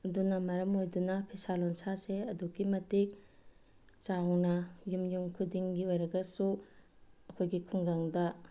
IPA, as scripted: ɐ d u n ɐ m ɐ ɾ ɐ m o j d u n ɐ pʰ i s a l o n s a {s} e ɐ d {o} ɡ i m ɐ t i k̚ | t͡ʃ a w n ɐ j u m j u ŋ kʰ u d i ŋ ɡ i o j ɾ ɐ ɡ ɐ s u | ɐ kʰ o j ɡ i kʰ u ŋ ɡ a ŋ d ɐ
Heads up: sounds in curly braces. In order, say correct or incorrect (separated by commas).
correct, incorrect